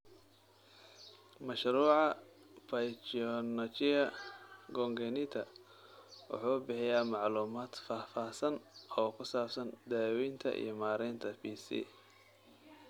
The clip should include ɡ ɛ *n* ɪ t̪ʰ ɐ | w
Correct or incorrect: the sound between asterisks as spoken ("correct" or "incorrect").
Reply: correct